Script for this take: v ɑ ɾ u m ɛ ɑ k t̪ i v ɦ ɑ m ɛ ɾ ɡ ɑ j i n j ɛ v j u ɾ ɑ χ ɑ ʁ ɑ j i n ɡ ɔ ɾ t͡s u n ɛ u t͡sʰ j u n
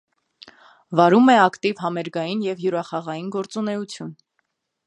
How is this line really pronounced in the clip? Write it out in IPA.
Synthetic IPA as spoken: v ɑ ɾ u m ɛ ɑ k t̪ i v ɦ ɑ m ɛ ɾ ɡ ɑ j i n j ɛ v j u ɾ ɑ χ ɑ ʁ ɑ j i n ɡ ɔ ɾ t͡s u n ɛ u t͡sʰ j u n